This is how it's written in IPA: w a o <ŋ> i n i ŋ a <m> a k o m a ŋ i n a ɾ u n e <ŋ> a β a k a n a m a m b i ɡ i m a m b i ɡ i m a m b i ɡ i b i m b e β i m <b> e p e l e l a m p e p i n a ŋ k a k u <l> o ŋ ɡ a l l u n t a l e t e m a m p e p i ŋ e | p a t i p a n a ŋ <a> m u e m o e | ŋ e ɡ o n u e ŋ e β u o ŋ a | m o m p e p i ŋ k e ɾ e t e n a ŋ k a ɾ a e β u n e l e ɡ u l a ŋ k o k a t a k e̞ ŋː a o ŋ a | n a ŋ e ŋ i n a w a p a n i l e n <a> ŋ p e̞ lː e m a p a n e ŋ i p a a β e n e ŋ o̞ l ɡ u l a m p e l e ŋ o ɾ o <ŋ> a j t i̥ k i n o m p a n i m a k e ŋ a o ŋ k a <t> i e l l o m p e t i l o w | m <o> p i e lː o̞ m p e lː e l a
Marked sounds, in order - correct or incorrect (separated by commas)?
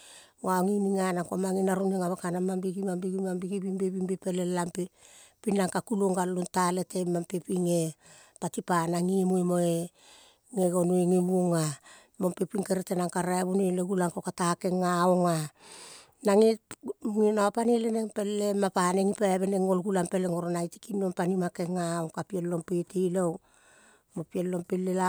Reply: correct, incorrect, correct, correct, correct, incorrect, incorrect, incorrect, incorrect, correct